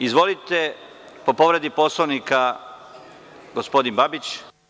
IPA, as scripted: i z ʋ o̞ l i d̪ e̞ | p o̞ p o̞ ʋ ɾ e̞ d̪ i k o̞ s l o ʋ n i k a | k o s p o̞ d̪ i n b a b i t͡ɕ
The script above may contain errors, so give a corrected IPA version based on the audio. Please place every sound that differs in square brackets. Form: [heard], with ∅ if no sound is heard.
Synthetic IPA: i z ʋ o̞ l i [t̪] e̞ | p o̞ p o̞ ʋ ɾ e̞ d̪ i [p] o̞ s l o ʋ n i k a | [ɡ] o s p o̞ d̪ i n b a b i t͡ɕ